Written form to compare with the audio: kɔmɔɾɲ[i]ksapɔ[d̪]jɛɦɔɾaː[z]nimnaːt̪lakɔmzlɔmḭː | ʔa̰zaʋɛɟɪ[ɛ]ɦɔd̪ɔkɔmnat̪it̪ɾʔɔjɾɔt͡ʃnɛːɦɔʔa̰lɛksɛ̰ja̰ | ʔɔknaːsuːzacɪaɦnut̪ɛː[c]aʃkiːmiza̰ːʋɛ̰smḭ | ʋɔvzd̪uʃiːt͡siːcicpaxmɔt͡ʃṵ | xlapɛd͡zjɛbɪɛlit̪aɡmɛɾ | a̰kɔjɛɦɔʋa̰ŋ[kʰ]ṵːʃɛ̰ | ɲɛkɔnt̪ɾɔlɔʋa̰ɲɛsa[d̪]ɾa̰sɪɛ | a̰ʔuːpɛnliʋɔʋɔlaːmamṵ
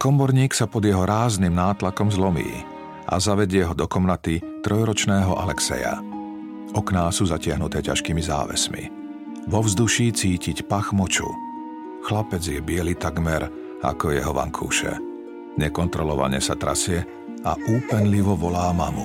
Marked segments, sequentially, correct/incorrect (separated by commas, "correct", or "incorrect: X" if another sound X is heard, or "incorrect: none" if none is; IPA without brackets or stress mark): incorrect: iː, correct, correct, correct, correct, correct, incorrect: t̪